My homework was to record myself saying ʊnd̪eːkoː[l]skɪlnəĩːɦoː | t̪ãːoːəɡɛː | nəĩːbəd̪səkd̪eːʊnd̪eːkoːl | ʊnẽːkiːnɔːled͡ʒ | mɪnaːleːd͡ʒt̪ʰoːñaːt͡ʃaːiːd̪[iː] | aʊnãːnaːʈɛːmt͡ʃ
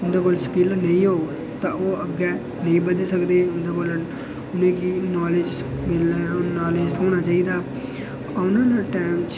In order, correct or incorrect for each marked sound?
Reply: correct, incorrect

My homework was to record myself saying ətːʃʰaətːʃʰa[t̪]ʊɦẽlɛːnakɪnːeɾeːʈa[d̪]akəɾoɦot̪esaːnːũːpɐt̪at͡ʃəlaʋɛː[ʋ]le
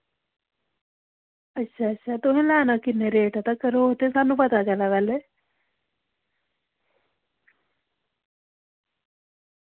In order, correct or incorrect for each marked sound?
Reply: correct, incorrect, incorrect

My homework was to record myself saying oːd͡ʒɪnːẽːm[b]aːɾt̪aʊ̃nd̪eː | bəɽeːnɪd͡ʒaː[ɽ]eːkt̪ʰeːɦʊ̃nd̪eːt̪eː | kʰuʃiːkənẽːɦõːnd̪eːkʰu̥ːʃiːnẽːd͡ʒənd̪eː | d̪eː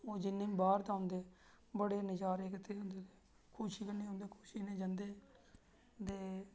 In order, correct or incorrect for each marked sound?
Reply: correct, incorrect

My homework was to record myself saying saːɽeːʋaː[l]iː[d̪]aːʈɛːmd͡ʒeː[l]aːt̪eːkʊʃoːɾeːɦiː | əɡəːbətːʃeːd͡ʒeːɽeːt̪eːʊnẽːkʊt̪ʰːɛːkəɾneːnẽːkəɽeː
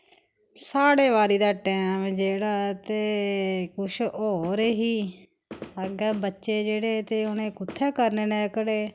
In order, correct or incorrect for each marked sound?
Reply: incorrect, correct, incorrect

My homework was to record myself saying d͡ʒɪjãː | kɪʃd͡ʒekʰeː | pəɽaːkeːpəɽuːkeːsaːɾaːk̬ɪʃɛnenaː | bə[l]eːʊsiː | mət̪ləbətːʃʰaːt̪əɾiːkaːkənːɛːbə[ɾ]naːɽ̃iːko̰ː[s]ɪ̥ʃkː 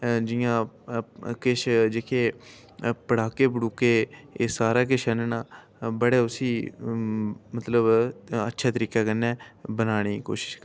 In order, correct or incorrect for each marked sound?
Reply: incorrect, incorrect, incorrect

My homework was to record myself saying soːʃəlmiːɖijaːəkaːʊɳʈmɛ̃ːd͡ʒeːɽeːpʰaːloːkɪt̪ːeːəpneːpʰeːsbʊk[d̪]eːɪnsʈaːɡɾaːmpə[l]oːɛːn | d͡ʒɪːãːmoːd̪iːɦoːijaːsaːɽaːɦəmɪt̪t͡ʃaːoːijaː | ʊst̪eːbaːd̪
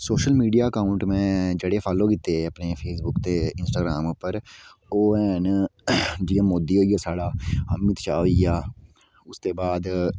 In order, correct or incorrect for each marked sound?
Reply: incorrect, incorrect

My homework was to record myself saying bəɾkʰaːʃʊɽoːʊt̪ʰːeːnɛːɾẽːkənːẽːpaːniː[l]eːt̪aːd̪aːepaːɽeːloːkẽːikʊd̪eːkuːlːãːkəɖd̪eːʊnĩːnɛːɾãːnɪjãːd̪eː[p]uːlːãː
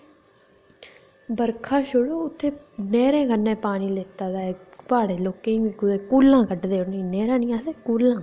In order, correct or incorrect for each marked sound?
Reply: correct, incorrect

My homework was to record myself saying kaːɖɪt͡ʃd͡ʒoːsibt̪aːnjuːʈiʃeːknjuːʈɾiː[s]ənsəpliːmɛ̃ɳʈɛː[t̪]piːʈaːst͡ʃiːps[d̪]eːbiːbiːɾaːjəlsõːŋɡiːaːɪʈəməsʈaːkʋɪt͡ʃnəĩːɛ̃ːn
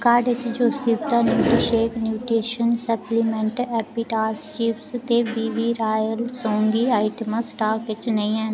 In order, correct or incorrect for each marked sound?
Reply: incorrect, incorrect, incorrect

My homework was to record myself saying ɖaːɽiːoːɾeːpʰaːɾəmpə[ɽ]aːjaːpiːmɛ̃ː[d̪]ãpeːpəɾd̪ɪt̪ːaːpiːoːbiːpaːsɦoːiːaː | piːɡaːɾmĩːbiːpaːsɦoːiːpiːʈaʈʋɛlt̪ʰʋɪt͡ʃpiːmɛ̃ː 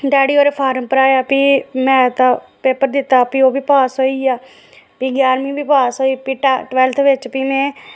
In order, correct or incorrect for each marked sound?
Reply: incorrect, incorrect

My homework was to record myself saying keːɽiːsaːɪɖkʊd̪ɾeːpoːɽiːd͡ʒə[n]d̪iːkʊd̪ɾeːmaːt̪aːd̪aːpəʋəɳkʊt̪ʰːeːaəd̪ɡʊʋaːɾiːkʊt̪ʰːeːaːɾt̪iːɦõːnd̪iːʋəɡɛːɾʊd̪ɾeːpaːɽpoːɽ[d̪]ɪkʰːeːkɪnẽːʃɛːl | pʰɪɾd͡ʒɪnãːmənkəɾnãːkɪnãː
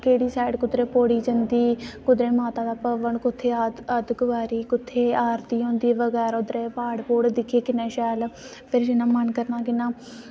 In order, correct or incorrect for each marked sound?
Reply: correct, correct

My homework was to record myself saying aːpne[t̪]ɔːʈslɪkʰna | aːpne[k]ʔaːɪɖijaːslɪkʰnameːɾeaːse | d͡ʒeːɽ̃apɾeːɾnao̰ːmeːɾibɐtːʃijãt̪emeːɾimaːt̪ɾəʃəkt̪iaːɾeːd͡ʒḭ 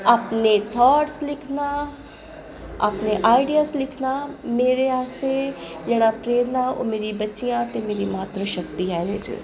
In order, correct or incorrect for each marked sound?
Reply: incorrect, incorrect

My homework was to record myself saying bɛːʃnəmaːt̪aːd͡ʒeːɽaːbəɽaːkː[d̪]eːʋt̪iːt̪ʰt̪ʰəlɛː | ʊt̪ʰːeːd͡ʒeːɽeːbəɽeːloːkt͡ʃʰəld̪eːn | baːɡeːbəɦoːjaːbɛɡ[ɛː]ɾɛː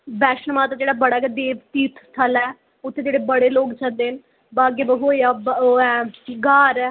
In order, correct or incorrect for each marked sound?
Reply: correct, incorrect

